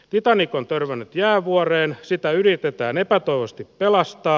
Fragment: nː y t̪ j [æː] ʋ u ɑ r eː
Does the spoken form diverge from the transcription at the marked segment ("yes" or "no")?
no